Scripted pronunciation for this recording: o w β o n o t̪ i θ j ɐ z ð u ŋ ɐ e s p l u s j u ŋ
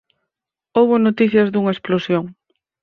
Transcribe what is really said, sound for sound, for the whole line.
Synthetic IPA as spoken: o w β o n o t̪ i θ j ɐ z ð u ŋ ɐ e s p l o s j o ŋ